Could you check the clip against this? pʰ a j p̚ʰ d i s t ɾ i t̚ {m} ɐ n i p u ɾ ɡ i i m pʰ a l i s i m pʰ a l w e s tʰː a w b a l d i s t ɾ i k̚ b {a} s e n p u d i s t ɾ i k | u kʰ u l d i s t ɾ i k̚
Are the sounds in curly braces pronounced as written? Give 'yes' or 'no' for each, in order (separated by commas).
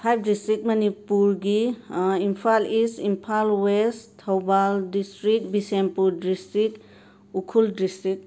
yes, no